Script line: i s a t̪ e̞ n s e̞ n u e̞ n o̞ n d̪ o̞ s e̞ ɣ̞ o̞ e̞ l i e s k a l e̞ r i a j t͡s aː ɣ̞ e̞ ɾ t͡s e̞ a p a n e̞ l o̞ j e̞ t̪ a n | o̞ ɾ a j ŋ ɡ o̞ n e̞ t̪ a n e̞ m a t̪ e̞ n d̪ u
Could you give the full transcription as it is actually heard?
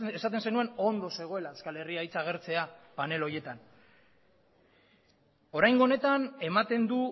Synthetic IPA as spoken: e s a t̪ e̞ n s e̞ n u e̞ n o̞ n d̪ o̞ s e̞ ɣ̞ o̞ e̞ l a e s k a l e̞ r i a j t͡s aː ɣ̞ e̞ ɾ t͡s e̞ a p a n e̞ l o̞ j e̞ t̪ a n | o̞ ɾ a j ŋ ɡ o̞ n e̞ t̪ a n e̞ m a t̪ e̞ n d̪ u